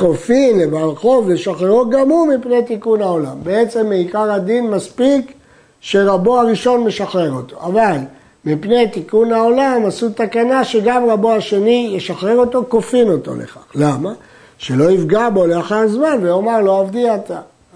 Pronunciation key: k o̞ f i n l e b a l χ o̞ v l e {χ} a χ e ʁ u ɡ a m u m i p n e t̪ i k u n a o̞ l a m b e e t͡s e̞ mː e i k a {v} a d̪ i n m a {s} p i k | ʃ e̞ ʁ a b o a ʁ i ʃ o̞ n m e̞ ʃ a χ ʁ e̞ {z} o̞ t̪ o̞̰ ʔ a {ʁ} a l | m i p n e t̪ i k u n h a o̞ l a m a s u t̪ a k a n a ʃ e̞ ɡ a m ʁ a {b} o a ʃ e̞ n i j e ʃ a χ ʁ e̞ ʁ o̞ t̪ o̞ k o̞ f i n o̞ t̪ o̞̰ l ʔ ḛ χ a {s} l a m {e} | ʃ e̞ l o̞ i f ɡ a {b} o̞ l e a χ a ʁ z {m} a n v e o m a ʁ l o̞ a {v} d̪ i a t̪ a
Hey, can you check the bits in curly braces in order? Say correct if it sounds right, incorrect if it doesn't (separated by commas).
incorrect, incorrect, correct, incorrect, incorrect, correct, incorrect, incorrect, correct, correct, correct